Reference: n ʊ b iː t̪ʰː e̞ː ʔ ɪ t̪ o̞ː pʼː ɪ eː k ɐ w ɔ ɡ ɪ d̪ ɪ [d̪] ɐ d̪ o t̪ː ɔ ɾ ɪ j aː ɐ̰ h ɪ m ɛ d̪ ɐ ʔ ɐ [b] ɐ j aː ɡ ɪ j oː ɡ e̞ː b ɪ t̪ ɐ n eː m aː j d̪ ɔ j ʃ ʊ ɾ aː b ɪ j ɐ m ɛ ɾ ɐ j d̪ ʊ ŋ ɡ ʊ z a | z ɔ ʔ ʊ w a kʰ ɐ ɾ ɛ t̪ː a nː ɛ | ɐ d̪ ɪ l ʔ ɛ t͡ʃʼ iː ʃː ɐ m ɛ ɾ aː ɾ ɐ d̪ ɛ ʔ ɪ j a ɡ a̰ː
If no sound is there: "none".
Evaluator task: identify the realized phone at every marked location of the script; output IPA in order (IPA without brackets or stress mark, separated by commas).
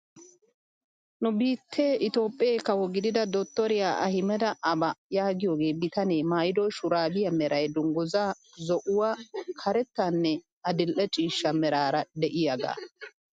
d̪, b